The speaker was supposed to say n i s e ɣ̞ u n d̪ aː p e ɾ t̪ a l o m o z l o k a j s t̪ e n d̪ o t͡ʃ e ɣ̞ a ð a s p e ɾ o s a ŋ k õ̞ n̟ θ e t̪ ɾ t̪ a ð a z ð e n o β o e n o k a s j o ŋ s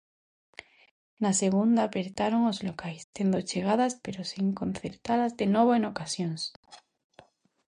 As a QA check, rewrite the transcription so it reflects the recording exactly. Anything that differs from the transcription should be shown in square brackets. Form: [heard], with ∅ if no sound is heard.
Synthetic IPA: n [a] s e ɣ̞ u n d̪ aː p e ɾ t̪ a [ɾ] o [ŋ] o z l o k a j s t̪ e n d̪ o t͡ʃ e ɣ̞ a ð a s p e ɾ o s [i] ŋ k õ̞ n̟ θ e [∅] ɾ t̪ a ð a z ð e n o β o e n o k a s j o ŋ s